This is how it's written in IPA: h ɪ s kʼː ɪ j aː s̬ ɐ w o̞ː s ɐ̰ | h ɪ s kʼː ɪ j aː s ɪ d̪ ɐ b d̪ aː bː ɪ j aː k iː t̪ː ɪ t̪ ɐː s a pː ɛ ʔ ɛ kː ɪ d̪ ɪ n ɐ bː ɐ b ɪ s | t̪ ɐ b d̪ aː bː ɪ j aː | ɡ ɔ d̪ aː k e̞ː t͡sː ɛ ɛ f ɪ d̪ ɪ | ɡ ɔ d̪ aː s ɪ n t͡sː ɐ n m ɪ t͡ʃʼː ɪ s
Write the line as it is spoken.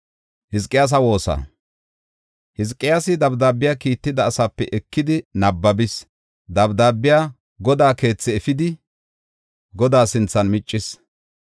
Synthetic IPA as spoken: h ɪ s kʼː ɪ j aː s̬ ɐ w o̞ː s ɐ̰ | h ɪ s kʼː ɪ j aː s ɪ d̪ ɐ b d̪ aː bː ɪ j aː k iː t̪ː ɪ d̪ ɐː s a pː ɛ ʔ ɛ kː ɪ d̪ ɪ n ɐ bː ɐ b ɪ s | d̪ ɐ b d̪ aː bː ɪ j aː | ɡ ɔ d̪ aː k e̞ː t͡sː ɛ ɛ f ɪ d̪ ɪ | ɡ ɔ d̪ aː s ɪ n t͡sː ɐ n m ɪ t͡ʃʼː ɪ s